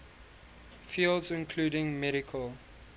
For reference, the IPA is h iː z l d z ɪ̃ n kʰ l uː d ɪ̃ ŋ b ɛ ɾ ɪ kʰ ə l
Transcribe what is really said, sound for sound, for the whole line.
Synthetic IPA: f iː l d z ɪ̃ n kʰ l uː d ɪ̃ ŋ m ɛ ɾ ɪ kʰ ə l